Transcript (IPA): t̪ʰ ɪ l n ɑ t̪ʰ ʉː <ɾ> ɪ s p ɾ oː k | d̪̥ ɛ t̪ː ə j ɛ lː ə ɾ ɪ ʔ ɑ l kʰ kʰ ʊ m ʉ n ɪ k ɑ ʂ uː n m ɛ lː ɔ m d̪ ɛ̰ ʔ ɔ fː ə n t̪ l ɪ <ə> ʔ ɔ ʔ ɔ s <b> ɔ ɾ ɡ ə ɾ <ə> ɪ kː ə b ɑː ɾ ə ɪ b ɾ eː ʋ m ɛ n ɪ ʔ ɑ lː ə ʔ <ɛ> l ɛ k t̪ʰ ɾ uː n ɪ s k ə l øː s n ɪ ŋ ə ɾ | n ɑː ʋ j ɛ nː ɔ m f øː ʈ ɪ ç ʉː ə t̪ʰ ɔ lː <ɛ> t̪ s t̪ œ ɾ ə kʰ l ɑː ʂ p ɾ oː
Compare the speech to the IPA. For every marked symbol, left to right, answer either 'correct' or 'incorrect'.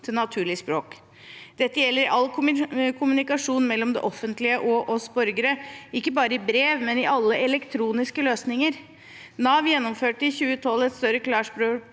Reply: incorrect: ɭ, correct, correct, correct, correct, correct

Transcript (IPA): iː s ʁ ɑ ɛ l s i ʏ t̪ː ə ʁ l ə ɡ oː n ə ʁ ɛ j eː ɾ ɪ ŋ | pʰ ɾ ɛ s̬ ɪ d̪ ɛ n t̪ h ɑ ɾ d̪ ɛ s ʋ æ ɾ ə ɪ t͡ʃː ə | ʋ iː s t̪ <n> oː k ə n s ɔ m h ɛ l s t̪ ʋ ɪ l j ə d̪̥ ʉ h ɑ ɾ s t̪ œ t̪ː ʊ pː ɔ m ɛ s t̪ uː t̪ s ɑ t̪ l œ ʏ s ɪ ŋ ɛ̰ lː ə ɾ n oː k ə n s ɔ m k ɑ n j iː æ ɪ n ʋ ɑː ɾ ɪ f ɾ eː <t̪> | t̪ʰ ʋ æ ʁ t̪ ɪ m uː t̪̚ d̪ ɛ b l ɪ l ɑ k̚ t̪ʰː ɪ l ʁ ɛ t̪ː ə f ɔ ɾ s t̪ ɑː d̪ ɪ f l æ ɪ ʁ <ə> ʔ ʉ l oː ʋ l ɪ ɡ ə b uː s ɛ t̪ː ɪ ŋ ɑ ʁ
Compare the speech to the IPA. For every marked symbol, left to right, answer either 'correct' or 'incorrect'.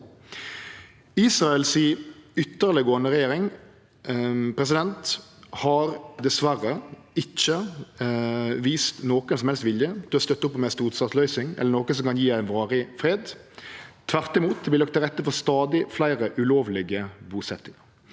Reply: correct, incorrect: d̪, correct

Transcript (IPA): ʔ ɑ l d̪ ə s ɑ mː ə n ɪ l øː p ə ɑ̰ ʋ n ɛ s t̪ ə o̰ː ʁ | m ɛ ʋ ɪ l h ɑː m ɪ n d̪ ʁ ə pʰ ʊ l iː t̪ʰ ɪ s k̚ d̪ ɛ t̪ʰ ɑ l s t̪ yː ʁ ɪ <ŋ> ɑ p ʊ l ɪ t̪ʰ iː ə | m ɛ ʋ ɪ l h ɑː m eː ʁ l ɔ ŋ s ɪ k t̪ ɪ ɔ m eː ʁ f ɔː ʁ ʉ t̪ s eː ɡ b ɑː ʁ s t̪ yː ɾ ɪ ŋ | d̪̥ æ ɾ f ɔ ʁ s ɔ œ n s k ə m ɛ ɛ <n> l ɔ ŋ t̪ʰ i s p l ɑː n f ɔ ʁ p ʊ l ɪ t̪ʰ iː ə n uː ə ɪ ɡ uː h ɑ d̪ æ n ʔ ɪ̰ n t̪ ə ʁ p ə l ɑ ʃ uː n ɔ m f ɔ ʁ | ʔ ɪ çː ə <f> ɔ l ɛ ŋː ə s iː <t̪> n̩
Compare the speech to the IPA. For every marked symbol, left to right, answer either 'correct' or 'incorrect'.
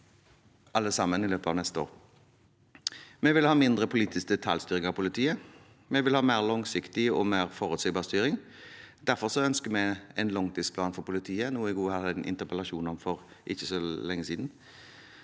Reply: correct, correct, incorrect: s, incorrect: d̪

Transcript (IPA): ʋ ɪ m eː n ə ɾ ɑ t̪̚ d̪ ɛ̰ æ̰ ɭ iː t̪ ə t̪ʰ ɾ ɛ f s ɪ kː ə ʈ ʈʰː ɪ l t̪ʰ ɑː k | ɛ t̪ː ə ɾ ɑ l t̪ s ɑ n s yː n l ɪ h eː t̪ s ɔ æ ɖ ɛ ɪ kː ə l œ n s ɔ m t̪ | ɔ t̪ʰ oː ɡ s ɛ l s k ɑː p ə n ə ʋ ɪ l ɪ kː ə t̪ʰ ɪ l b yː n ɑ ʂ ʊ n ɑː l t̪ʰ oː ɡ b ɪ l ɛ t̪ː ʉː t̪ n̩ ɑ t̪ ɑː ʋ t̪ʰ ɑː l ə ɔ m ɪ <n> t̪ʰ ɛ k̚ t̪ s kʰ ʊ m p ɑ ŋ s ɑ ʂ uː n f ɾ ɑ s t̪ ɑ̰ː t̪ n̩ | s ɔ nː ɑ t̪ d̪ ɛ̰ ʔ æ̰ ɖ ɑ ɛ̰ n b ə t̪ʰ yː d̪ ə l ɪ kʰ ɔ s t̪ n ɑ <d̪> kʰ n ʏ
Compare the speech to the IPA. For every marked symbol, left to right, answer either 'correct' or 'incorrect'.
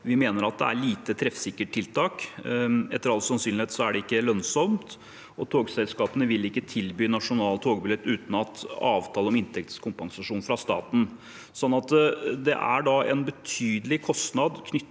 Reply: correct, correct

